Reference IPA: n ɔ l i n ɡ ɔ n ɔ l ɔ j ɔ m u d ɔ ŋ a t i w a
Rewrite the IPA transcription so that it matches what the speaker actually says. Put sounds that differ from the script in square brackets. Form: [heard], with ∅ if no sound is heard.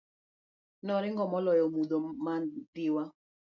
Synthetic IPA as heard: n ɔ [ɾ] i [ŋ] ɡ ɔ [m] ɔ l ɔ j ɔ m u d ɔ [m] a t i w a

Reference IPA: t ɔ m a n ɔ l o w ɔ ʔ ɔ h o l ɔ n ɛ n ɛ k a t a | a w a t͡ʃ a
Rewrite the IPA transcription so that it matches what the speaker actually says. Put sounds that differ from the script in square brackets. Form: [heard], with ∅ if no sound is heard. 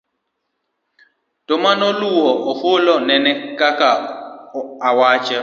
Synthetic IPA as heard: t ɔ m a n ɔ l [u] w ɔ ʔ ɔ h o l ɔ n ɛ n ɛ k a [k] a | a w a t͡ʃ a

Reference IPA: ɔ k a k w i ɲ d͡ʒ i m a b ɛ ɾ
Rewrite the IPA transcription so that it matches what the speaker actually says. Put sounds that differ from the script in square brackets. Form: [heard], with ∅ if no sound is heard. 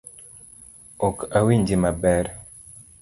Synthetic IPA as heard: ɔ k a [∅] w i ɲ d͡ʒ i m a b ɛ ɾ

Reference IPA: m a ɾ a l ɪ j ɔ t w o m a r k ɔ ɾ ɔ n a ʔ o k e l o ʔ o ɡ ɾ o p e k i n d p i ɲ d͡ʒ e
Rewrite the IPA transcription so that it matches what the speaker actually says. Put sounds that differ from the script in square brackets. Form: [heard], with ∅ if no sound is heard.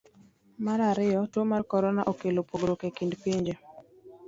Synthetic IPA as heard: m a ɾ a [ɾ] ɪ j ɔ t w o m a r k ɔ ɾ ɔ n a ʔ o k e l o [p] o ɡ ɾ o [k] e k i n d p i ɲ d͡ʒ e

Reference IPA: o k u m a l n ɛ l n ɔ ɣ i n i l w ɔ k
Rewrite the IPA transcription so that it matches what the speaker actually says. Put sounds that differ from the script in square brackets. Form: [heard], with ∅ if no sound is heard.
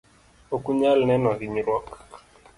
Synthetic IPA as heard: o k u [ɲ] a l n ɛ [∅] n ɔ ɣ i [ɲ] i [ɾ] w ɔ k

